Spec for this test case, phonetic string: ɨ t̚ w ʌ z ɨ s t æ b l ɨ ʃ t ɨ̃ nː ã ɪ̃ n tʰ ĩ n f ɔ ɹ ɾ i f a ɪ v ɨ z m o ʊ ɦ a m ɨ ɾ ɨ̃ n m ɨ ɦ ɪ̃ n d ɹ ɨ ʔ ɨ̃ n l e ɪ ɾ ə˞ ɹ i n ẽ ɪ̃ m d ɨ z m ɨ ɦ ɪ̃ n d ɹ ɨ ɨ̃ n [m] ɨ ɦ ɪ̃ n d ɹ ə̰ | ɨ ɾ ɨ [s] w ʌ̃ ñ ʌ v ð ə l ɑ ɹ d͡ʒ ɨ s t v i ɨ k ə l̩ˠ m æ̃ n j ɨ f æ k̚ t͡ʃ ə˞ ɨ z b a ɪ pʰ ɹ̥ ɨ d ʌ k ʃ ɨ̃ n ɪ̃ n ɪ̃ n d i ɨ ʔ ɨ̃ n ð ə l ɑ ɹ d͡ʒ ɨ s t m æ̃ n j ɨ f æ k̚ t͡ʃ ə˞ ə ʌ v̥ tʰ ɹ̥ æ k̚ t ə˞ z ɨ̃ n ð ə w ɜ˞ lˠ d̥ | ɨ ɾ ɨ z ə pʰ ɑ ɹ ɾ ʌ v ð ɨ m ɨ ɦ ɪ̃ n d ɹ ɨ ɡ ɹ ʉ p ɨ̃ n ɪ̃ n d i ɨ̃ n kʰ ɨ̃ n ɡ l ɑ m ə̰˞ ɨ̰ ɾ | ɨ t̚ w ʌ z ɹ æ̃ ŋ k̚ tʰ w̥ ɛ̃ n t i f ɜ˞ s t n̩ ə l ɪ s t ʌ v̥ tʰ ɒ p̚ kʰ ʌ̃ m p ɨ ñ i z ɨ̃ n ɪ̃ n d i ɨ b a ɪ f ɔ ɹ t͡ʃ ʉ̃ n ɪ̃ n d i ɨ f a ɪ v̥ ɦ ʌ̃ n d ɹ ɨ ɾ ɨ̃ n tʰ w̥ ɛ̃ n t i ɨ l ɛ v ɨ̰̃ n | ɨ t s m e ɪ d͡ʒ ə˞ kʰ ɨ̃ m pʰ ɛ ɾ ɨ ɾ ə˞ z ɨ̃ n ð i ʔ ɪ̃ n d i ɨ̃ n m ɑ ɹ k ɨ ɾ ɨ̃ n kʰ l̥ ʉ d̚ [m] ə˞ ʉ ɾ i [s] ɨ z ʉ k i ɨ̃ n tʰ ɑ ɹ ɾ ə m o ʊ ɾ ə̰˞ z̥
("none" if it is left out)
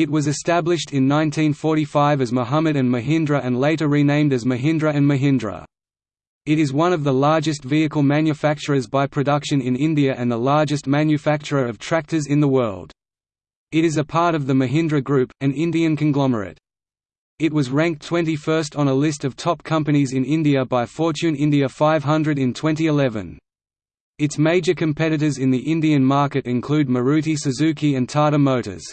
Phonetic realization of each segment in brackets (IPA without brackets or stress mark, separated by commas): m, z, m, s